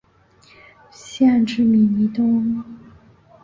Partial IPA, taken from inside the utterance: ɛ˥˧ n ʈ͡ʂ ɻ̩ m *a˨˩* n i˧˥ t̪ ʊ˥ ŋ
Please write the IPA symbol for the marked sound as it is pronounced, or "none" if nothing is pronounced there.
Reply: i˨˩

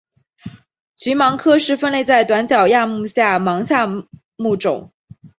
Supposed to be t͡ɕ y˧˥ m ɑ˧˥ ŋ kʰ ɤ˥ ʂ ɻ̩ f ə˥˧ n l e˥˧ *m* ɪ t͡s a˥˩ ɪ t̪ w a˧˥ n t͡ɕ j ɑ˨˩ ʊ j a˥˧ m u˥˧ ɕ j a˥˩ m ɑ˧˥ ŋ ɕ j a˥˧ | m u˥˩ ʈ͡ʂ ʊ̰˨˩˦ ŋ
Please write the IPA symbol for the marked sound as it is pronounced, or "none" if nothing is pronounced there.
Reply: none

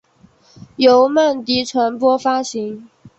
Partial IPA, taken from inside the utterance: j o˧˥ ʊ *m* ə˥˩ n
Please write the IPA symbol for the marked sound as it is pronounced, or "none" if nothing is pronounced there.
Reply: m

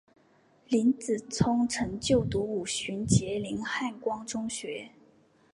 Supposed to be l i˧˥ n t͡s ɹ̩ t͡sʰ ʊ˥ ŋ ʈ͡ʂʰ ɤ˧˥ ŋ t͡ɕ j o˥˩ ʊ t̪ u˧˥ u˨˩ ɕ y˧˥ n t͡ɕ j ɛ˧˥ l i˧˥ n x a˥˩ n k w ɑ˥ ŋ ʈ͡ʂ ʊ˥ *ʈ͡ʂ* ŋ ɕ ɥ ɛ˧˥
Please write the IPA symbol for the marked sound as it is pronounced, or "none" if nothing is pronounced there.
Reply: none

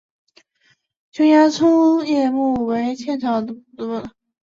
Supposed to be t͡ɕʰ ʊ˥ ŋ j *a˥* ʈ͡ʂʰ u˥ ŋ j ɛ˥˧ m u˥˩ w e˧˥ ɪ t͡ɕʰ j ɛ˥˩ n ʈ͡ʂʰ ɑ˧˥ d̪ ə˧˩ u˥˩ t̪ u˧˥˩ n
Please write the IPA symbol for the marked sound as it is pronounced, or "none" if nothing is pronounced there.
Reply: a˥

